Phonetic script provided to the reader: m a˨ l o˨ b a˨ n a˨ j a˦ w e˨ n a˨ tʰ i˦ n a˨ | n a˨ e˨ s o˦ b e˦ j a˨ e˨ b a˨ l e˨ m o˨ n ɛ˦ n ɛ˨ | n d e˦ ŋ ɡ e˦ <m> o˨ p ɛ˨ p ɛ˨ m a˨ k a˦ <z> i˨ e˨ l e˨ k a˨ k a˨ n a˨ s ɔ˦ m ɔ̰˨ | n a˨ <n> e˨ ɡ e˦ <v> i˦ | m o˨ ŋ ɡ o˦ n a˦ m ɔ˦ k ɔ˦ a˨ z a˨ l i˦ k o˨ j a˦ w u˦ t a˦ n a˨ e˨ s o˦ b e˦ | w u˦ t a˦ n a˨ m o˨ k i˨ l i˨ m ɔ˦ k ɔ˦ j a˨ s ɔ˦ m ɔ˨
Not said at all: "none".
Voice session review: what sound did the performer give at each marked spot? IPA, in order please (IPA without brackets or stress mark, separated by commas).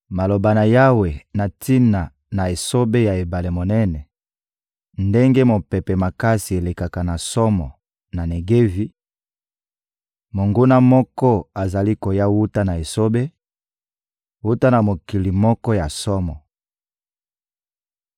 m, s, n, v